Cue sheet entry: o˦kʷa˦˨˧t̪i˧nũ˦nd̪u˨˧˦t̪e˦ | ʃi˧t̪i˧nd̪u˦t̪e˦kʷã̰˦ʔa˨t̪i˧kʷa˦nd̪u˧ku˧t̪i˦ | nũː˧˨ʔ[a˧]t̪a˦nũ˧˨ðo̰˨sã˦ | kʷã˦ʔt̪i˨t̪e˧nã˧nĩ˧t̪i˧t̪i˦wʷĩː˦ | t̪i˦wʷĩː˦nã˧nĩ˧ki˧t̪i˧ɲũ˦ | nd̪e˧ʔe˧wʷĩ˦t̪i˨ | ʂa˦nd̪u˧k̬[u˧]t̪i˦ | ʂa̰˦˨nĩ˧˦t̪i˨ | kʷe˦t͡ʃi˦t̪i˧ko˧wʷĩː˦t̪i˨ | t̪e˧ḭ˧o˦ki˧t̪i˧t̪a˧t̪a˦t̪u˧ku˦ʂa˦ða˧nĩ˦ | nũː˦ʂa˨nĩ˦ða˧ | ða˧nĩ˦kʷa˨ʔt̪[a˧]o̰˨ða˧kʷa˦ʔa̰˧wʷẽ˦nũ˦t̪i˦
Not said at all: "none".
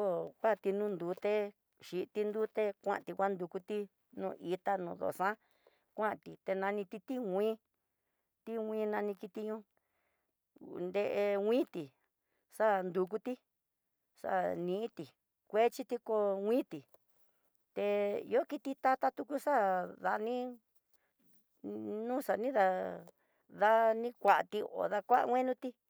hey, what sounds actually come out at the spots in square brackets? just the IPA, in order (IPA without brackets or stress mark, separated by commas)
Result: i˧, u˧, i˧